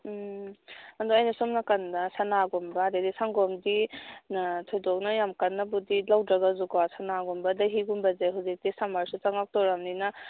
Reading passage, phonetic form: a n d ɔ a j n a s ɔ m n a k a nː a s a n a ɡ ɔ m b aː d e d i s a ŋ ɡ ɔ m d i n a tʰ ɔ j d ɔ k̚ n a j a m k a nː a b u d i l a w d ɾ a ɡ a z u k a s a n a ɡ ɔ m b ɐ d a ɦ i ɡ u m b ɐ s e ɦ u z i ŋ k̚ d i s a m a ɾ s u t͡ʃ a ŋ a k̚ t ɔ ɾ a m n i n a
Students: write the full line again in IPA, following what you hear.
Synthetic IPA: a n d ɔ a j n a s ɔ m n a k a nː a s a n a ɡ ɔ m b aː d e d i s a ŋ ɡ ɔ m d i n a tʰ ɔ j d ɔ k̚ n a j a m k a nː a b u d i l a w d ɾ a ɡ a z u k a s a n a ɡ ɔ m b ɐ d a ɦ i ɡ u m b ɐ z e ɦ u z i k̚ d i s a m a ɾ s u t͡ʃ a ŋ a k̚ t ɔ ɾ a m n i n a